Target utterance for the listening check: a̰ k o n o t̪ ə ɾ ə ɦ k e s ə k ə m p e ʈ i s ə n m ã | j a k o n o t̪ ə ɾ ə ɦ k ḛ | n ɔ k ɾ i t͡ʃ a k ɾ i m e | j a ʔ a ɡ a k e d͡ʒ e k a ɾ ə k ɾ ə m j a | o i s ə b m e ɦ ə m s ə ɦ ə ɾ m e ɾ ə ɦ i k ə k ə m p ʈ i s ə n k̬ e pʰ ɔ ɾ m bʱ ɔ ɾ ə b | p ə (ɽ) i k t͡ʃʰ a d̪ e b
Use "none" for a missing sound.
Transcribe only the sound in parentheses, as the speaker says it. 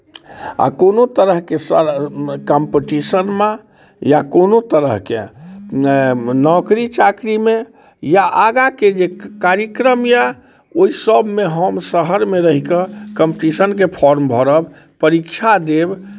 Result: ɾ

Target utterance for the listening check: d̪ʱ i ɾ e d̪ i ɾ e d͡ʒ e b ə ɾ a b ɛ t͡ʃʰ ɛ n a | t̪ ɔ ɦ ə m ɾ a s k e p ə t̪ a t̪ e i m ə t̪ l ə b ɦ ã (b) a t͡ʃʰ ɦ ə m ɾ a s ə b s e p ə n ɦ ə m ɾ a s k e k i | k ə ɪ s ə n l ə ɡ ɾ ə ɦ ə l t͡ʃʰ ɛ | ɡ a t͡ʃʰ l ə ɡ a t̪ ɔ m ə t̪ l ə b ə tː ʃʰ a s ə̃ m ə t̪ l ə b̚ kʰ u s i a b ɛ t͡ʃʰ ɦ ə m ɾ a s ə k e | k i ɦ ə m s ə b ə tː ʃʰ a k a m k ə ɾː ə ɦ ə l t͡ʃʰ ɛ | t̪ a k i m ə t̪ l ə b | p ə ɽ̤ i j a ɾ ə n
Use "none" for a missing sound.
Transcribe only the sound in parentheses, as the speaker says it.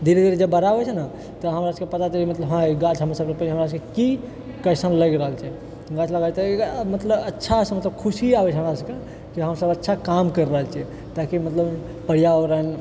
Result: ɡ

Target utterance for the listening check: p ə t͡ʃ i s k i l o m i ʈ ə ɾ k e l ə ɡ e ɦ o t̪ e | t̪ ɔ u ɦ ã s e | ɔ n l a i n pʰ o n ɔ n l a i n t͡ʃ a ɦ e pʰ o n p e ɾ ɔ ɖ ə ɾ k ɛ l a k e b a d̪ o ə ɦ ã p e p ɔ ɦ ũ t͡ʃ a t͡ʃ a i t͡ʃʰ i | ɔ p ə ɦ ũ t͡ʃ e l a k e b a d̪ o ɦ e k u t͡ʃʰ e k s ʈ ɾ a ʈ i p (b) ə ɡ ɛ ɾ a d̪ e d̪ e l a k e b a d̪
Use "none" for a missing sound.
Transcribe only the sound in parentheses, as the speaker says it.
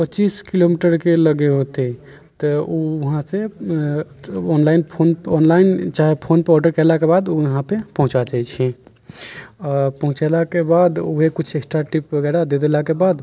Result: b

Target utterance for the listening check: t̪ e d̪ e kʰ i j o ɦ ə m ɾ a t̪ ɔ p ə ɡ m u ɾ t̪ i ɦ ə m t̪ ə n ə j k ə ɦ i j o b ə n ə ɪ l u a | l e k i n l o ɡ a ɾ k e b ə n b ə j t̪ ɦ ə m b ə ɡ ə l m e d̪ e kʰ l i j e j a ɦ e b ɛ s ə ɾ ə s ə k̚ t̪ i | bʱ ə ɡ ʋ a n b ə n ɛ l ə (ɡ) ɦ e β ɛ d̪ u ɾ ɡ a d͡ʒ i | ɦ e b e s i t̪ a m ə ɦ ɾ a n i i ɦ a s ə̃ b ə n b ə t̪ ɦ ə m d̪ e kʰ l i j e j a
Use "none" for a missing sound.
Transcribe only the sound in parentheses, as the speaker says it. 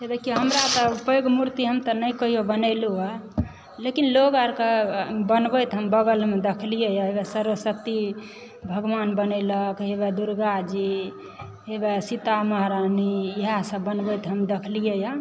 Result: k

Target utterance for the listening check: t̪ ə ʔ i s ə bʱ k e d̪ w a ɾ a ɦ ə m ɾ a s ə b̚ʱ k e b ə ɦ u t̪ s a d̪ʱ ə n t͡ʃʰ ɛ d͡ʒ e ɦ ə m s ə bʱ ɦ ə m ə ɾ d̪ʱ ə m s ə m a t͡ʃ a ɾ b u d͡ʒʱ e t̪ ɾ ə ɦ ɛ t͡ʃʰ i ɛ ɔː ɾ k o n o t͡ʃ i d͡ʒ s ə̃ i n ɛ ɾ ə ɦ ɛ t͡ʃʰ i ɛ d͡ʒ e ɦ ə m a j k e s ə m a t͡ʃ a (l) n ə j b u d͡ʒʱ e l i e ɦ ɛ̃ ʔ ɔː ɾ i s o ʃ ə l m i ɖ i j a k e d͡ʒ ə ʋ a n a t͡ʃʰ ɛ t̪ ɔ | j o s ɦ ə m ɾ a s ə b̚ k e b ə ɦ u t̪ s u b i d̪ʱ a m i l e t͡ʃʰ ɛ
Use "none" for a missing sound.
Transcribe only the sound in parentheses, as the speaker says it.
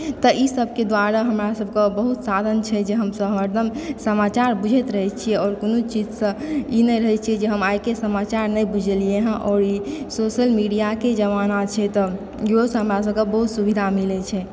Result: ɾ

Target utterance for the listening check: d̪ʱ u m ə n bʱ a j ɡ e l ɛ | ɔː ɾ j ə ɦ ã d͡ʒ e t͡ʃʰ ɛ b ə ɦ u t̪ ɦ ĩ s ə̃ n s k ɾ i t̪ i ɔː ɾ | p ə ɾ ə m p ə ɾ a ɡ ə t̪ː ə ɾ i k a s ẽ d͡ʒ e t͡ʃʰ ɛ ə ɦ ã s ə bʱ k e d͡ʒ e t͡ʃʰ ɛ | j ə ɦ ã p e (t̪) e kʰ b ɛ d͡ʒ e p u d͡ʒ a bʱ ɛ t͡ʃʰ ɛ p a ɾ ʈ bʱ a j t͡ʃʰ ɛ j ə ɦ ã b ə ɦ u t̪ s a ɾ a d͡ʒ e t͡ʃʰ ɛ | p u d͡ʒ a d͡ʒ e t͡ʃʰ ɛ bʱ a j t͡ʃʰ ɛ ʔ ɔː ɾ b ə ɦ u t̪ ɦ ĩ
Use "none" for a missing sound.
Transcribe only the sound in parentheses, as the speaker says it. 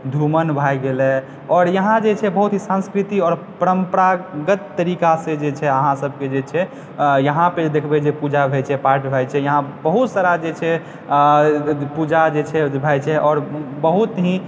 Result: d̪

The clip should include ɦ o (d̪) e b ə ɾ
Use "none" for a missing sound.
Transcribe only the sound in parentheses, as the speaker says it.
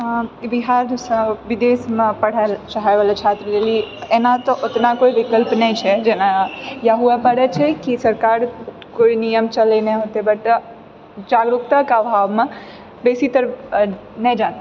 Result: t̪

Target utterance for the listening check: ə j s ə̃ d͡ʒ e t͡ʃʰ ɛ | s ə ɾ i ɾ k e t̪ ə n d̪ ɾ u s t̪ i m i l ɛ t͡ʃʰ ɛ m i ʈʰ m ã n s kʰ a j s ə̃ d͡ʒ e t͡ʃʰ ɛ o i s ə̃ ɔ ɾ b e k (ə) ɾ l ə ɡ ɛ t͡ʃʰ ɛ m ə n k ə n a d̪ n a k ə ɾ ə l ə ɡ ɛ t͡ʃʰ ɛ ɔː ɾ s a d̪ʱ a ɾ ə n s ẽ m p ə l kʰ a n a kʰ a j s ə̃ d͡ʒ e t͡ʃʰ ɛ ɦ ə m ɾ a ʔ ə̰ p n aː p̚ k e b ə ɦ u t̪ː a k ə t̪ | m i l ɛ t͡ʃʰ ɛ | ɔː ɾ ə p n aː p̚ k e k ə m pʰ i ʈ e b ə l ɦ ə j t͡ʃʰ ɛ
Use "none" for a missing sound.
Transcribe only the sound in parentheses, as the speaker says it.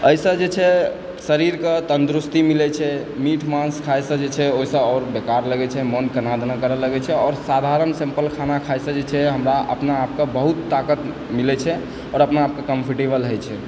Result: a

